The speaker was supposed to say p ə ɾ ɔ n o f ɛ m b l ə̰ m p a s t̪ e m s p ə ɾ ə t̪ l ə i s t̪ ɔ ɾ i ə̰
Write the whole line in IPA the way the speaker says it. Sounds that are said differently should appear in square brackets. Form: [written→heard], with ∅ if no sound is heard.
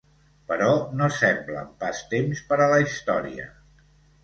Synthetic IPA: p ə ɾ ɔ n o [f→s] ɛ m b l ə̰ m p a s t̪ e m s p ə ɾ ə [t̪→∅] l ə i s t̪ ɔ ɾ i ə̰